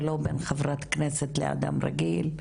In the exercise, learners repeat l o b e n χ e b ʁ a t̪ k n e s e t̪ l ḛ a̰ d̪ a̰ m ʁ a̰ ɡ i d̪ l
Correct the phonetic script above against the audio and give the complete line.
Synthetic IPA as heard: l o b e n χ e v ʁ a t̪ k n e s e t̪ l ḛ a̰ d̪ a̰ m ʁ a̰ ɡ i l